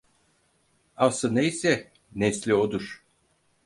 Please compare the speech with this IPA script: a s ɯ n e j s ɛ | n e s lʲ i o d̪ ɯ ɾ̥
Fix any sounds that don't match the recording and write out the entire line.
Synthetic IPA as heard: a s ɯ n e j s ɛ | n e s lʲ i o d̪ u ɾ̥